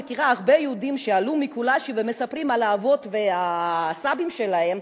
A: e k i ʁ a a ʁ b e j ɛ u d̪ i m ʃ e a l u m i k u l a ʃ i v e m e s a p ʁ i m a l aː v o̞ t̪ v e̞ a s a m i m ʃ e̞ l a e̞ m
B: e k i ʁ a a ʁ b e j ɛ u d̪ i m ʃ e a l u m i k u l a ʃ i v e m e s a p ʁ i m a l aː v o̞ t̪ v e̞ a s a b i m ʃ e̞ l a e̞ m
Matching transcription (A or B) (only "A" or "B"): B